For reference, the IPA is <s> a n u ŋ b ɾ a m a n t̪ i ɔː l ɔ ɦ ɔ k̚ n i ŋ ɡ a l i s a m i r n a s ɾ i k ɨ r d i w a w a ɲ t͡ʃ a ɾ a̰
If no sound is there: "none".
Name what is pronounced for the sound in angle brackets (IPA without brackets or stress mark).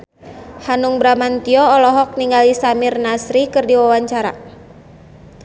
h